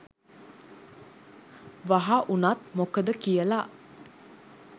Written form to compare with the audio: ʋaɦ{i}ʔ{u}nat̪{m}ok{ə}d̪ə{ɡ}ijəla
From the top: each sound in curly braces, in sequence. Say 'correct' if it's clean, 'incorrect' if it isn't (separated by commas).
incorrect, correct, correct, correct, incorrect